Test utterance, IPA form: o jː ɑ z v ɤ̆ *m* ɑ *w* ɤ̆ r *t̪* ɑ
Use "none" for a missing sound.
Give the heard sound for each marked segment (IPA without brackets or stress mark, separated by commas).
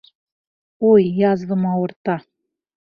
m, w, t̪